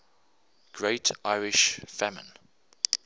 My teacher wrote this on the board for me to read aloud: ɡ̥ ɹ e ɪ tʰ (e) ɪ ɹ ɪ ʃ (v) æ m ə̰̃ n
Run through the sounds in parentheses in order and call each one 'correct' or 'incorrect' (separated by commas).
incorrect, incorrect